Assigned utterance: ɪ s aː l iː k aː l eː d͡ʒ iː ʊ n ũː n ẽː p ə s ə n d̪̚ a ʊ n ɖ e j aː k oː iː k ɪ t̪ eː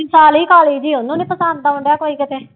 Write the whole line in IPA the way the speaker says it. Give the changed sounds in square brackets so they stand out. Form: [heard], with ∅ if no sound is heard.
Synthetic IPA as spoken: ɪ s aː l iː k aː l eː d͡ʒ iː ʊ n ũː n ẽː p ə s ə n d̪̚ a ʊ [ɳ] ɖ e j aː k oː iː k ɪ t̪ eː